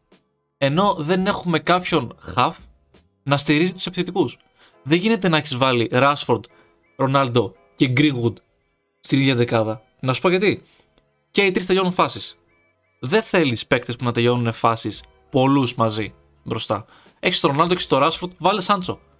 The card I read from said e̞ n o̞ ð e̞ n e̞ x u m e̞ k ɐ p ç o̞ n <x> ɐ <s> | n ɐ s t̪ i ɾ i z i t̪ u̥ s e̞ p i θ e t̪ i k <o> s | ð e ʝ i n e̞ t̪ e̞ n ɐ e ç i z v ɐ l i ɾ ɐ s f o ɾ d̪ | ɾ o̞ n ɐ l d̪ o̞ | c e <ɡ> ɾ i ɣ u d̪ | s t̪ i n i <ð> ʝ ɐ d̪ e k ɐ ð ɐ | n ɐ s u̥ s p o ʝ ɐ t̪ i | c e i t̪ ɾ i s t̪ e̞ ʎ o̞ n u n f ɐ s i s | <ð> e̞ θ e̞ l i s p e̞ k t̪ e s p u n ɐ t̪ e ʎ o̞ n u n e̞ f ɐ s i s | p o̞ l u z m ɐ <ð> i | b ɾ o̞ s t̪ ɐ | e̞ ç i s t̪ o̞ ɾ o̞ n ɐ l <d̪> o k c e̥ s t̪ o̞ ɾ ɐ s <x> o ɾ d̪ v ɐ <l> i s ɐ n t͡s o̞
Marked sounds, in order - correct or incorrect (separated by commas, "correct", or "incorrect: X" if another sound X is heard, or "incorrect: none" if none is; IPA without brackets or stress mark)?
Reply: correct, incorrect: f, incorrect: u, correct, correct, correct, incorrect: z, correct, incorrect: f, correct